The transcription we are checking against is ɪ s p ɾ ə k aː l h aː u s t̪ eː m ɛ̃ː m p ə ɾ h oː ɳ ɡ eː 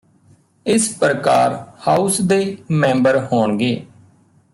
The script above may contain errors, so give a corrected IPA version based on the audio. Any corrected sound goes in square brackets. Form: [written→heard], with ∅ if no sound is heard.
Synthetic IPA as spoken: ɪ s p ɾ ə k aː [l→ɾ] h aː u s [t̪→d̪] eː m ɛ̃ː m [p→b] ə ɾ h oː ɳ ɡ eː

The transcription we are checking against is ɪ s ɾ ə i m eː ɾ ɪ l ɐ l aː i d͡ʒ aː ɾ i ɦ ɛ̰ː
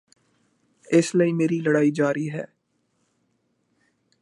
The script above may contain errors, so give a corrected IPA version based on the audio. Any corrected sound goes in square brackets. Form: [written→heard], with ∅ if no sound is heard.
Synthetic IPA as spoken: ɪ s [ɾ→l] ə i m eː ɾ [ɪ→i] l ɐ [l→ɽ] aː i d͡ʒ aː ɾ i ɦ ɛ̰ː

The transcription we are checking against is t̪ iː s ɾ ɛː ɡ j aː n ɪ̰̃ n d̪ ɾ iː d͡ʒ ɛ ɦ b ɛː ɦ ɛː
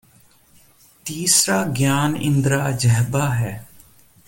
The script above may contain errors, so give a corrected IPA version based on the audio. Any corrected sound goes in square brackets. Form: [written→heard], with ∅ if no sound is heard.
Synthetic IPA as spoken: t̪ iː s ɾ [ɛː→aː] ɡ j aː n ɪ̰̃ n d̪ ɾ [iː→aː] d͡ʒ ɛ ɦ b [ɛː→aː] ɦ ɛː

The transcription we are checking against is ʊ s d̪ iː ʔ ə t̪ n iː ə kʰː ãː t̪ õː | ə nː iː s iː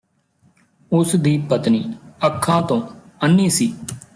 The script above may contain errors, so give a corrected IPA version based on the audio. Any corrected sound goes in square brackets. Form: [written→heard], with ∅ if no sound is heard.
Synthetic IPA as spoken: ʊ s d̪ iː [ʔ→p] ə t̪ n iː ə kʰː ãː t̪ õː | ə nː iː s iː

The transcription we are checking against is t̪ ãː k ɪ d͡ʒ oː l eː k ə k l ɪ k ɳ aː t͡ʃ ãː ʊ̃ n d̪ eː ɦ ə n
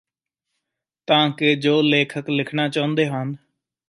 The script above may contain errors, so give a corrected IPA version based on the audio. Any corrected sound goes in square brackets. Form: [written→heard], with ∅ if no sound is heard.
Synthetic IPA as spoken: t̪ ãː k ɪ d͡ʒ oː l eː [k→kʰ] ə k l ɪ [k→kʰ] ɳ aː t͡ʃ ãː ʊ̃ n d̪ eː ɦ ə n

